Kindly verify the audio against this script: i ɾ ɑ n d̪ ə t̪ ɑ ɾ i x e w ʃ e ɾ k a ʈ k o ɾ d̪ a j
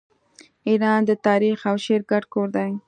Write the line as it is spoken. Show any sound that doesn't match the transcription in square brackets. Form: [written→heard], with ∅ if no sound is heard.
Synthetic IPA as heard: i ɾ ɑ n d̪ ə t̪ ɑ ɾ i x [e→a] w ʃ e ɾ [k→ɡ] a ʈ k o ɾ d̪ a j